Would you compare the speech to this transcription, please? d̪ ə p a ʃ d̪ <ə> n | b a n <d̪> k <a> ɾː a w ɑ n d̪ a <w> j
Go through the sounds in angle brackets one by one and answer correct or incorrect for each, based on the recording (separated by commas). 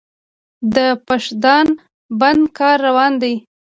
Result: incorrect, correct, incorrect, incorrect